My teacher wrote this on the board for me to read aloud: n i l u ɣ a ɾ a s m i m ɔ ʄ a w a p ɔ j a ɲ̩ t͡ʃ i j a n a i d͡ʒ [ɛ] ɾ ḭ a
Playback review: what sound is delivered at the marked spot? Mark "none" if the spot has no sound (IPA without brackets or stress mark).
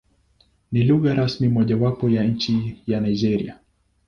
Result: ɛ